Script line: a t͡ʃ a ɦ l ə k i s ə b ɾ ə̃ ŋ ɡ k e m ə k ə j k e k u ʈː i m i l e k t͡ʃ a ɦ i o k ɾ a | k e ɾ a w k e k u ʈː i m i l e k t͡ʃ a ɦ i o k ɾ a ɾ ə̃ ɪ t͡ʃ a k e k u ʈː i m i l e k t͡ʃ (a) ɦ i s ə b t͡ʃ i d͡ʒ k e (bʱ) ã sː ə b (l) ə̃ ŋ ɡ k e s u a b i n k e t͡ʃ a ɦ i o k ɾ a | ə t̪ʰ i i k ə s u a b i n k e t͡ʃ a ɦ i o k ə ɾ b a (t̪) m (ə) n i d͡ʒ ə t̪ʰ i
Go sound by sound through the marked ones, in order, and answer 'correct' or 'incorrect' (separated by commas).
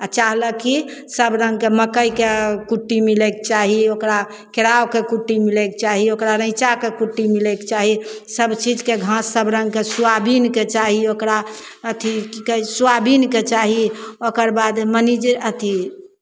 correct, incorrect, incorrect, incorrect, correct